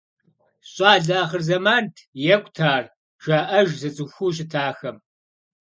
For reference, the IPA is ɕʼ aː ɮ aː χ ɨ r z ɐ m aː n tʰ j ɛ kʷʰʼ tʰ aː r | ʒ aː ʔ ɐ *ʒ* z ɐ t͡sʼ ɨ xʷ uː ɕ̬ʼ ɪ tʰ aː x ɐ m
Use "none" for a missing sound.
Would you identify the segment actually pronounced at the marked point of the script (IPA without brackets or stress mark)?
ʒ